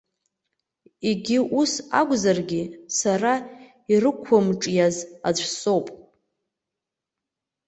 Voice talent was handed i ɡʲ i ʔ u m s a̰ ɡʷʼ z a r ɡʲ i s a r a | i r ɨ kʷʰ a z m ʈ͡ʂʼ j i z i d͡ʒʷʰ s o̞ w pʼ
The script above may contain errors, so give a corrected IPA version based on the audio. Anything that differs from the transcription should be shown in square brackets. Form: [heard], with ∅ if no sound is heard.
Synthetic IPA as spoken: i ɡʲ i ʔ u [∅] s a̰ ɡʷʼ z a r ɡʲ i s a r a | i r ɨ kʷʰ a [∅] m ʈ͡ʂʼ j [a] z [a] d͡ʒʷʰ s o̞ w pʼ